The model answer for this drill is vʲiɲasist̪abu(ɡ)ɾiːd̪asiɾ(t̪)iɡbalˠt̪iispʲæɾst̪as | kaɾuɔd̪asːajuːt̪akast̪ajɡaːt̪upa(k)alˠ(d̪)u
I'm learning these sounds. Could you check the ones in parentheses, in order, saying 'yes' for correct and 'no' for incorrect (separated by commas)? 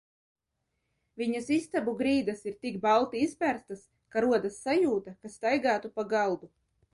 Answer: yes, yes, no, yes